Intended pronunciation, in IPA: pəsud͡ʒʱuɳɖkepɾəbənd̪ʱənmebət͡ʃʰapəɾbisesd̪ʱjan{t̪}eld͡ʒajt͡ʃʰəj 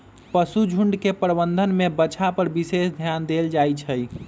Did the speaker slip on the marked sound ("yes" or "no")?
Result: yes